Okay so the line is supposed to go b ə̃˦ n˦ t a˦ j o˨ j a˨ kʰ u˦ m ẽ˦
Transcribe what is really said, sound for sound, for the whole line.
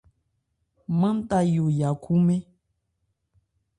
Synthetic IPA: m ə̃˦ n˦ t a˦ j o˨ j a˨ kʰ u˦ m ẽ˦